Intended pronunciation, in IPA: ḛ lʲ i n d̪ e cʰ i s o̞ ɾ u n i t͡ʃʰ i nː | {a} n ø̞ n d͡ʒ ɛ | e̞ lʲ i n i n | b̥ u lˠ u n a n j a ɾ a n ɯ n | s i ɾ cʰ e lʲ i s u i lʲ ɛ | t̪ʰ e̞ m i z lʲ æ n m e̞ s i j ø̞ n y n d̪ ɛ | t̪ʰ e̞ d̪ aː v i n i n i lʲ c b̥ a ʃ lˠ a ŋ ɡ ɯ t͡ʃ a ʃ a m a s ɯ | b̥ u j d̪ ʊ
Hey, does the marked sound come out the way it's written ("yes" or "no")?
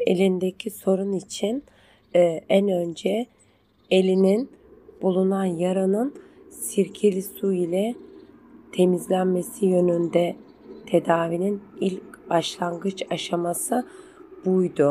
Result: no